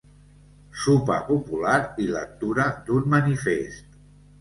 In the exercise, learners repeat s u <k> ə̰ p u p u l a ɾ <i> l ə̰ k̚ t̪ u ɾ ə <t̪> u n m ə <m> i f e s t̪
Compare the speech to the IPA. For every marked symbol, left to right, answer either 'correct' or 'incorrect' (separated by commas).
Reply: incorrect, correct, incorrect, incorrect